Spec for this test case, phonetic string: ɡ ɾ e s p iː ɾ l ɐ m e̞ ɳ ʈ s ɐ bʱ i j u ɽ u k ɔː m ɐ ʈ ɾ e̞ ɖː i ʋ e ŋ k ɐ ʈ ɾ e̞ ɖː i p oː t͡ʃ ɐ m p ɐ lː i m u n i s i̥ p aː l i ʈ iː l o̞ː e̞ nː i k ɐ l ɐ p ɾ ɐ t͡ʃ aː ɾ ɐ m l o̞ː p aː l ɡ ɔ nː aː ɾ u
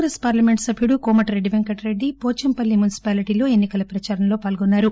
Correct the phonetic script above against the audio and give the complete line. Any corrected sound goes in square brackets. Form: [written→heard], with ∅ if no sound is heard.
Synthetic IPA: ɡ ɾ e s p [iː→aː] ɾ l ɐ m e̞ ɳ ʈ s ɐ bʱ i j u ɽ u k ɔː m ɐ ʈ ɾ e̞ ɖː i ʋ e ŋ k ɐ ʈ ɾ e̞ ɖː i p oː t͡ʃ ɐ m p ɐ lː i m u n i s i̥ p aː l i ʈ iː l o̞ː e̞ nː i k ɐ l ɐ p ɾ ɐ t͡ʃ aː ɾ ɐ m l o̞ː p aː l ɡ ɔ nː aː ɾ u